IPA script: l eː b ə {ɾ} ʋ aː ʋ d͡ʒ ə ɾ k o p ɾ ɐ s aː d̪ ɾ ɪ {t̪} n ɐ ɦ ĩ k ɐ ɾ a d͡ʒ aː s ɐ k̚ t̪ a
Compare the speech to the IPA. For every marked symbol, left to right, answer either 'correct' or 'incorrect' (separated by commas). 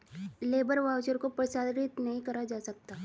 correct, correct